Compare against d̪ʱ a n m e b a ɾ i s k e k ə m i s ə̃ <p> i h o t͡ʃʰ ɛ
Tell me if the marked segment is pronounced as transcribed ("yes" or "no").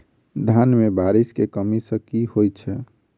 no